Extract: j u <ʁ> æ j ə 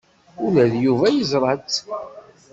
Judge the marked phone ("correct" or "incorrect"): incorrect